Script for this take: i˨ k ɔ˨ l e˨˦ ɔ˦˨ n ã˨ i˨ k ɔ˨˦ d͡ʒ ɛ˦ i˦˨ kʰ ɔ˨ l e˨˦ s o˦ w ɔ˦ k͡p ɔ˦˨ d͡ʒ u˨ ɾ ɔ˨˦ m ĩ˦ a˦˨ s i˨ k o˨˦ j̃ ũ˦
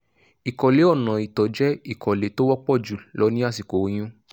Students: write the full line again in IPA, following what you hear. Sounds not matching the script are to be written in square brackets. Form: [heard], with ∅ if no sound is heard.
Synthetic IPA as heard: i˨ k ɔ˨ l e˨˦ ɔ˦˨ n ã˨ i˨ [t] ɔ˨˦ d͡ʒ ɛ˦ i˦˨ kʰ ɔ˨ l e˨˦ [t] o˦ w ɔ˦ k͡p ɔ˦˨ d͡ʒ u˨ [l] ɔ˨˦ [n] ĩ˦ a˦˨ s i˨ k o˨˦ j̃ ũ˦